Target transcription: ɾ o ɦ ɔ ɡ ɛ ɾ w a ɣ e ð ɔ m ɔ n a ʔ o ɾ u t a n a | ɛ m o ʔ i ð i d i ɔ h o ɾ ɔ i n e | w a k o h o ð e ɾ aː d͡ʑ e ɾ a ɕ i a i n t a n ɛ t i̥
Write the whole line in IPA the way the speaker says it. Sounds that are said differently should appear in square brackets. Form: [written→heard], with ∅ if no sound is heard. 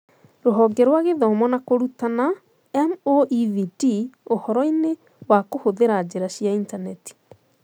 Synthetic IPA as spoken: ɾ o ɦ ɔ ɡ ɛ ɾ w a ɣ e ð ɔ m ɔ n a [ʔ→k] o ɾ u t a n a | ɛ m o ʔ i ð i d i [ɔ→o] h [o→ɔ] ɾ ɔ i n e | w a k o h o ð e ɾ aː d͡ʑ e ɾ a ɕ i a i n t a n ɛ t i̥